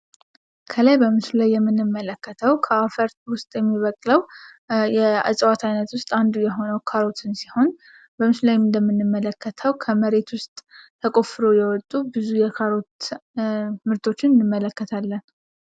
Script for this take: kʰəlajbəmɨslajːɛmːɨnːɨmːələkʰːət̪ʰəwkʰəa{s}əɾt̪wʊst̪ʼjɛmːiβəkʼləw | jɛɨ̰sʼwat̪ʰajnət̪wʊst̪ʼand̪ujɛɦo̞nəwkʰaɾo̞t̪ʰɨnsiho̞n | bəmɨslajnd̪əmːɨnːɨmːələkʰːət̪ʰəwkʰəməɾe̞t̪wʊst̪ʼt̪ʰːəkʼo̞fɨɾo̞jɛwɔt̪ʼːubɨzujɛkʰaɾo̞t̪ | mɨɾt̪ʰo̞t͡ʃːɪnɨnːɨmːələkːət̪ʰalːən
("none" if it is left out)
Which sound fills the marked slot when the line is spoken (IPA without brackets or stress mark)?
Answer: f